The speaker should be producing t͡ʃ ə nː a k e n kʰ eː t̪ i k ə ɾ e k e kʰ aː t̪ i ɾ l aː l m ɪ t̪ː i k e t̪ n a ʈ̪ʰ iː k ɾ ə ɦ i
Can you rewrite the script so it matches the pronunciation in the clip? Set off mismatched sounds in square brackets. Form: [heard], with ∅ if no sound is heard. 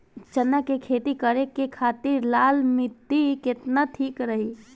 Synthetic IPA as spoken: t͡ʃ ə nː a k e [∅] kʰ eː t̪ i k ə ɾ e k e kʰ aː t̪ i ɾ l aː l m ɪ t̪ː i k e t̪ n a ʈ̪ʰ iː k ɾ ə ɦ i